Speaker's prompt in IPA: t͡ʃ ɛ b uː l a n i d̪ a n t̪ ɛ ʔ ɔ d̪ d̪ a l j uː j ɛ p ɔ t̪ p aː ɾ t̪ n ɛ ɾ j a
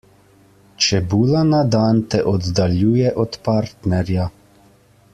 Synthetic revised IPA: t͡ʃ ɛ b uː l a n a d̪ a n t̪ ɛ ʔ ɔ d̪ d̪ a l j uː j ɛ ʔ ɔ t̪ p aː ɾ t̪ n ɛ ɾ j a